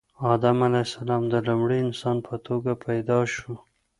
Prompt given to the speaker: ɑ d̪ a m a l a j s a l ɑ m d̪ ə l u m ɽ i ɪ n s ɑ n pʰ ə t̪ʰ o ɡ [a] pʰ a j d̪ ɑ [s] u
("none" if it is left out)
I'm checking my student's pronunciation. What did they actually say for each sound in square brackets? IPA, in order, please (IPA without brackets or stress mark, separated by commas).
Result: a, ʃ